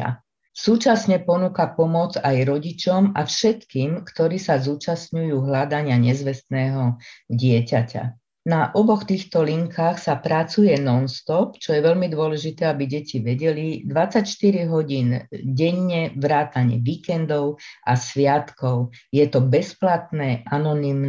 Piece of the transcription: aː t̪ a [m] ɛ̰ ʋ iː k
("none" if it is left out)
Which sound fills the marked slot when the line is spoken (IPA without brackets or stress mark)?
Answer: ɲ